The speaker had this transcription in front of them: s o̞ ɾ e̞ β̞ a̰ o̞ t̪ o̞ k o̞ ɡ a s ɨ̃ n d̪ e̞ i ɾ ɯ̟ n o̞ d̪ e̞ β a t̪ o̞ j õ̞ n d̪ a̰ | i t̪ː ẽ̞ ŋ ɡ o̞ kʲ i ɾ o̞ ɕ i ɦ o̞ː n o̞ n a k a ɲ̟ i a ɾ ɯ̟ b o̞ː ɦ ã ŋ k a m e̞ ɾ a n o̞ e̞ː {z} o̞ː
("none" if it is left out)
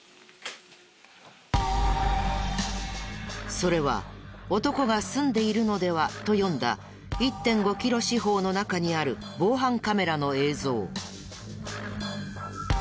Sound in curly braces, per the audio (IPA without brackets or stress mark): z